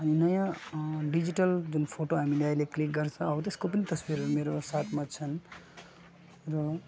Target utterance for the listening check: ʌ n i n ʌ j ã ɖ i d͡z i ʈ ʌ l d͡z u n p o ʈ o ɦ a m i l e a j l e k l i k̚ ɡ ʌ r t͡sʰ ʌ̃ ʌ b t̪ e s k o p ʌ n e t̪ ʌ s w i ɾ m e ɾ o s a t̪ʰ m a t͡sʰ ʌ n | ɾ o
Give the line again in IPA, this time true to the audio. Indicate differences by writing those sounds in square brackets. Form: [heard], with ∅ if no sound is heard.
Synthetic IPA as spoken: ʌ n i n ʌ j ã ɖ i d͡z i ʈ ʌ l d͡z u n [pʰ] o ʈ o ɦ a m i l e a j l e k l i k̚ ɡ ʌ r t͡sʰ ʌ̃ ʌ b t̪ e s k o p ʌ n [i] t̪ ʌ s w i ɾ m e ɾ o s a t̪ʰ m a t͡sʰ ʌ n | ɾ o